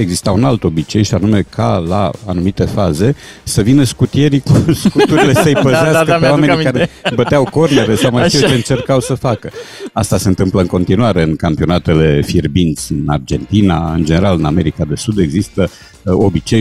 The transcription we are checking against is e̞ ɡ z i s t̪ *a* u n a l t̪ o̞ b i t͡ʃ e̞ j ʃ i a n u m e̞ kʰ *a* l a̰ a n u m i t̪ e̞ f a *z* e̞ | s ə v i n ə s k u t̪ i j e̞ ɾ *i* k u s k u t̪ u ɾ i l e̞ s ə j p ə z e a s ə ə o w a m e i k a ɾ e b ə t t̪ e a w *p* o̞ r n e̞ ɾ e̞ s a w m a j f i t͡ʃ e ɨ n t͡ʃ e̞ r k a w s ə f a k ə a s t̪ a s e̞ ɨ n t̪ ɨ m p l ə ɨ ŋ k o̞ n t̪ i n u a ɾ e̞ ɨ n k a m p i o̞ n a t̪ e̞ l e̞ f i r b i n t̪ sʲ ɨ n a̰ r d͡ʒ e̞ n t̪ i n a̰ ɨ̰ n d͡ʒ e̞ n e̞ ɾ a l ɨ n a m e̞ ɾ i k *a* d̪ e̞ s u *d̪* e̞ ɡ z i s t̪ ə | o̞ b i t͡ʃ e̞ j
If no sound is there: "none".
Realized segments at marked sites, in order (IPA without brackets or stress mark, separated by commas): a, a, z, i, k, a, d̪